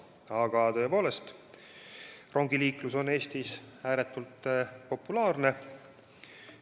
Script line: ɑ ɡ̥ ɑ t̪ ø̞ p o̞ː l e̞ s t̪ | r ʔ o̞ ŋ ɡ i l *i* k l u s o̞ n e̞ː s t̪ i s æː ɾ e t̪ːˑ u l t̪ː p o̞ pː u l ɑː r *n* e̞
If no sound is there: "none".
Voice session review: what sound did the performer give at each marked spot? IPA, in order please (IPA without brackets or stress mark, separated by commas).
iː, n